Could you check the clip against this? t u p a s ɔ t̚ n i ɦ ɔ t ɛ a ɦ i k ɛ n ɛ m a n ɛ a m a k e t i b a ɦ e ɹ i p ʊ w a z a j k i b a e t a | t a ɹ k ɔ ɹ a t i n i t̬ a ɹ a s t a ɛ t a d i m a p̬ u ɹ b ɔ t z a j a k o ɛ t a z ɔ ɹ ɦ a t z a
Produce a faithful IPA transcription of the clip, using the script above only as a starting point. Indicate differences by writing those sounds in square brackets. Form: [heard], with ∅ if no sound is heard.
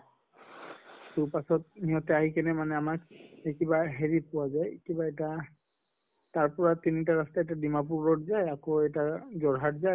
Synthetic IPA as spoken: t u p a s ɔ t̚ n i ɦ ɔ t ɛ a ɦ i k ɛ n ɛ m a n ɛ a m a k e [k] i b a ɦ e ɹ i p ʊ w a z a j k i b a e t a | t a ɹ [p] ɔ ɹ a t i n i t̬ a ɹ a s t a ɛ t a d i m a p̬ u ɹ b ɔ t z a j a k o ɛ t a z ɔ ɹ ɦ a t z a